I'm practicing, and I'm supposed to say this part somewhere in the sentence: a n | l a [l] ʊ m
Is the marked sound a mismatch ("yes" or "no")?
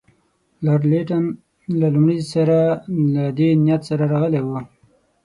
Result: no